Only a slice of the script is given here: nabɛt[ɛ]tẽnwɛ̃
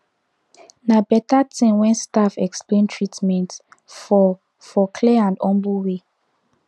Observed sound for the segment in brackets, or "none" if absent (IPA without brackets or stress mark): a